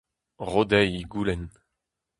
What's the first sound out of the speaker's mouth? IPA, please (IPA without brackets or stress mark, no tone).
ʁ